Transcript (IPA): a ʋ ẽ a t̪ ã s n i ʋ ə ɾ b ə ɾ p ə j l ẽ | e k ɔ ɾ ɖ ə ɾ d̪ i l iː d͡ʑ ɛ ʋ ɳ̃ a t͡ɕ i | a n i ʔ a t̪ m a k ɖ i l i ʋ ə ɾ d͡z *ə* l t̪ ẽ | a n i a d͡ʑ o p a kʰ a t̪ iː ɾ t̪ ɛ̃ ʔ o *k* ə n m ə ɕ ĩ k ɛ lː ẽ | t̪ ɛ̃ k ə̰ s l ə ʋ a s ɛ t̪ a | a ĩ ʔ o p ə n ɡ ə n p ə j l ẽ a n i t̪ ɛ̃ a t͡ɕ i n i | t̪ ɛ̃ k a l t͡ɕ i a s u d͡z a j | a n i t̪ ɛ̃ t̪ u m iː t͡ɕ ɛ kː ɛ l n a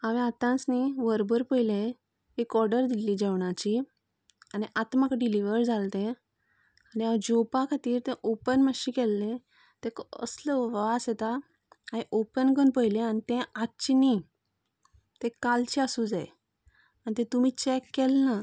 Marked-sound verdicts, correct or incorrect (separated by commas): incorrect, incorrect